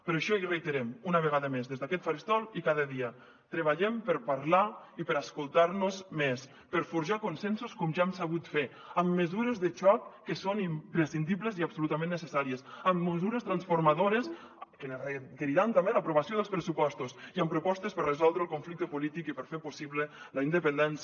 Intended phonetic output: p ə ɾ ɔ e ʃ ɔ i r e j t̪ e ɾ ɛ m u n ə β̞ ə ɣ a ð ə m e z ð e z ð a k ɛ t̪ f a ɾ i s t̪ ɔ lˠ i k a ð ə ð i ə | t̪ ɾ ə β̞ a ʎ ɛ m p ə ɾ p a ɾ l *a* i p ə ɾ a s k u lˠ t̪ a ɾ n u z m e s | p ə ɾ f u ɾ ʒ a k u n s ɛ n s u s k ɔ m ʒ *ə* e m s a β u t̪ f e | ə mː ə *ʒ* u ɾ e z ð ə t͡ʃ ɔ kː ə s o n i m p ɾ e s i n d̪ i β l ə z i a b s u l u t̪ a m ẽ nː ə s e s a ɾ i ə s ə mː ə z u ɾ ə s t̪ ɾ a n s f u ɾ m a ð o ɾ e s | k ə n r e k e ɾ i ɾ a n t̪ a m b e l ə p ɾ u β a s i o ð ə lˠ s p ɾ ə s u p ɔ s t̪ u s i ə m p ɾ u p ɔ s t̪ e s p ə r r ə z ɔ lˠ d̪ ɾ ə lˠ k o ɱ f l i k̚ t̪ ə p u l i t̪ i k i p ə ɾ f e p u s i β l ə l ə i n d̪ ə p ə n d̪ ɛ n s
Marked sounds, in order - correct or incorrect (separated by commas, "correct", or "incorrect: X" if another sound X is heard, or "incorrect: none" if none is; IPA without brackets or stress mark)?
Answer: correct, incorrect: a, incorrect: z